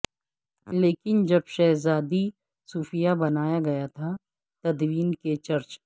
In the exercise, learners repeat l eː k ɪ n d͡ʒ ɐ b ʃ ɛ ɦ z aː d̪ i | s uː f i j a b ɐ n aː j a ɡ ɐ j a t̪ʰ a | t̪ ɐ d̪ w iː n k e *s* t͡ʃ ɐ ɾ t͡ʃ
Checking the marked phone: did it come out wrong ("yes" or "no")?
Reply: yes